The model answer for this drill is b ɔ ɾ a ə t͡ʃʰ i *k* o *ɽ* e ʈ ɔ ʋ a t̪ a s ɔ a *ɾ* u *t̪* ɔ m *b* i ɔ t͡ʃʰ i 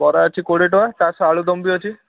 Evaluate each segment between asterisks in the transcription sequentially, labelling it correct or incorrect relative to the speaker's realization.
correct, correct, incorrect, incorrect, correct

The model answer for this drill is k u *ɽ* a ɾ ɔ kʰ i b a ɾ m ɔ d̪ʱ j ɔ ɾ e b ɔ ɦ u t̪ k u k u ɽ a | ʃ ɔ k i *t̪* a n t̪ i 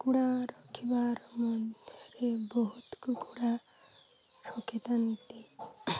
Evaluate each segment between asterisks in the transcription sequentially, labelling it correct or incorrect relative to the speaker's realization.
correct, correct

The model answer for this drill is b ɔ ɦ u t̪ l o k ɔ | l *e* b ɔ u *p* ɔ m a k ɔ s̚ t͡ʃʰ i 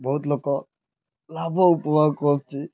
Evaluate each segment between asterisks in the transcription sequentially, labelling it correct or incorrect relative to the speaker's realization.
incorrect, correct

